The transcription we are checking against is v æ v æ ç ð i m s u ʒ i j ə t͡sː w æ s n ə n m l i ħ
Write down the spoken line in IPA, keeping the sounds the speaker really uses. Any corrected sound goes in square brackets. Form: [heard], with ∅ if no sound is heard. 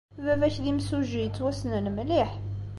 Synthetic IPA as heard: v æ v æ ç ð i m s u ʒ i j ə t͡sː w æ s n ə n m l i ħ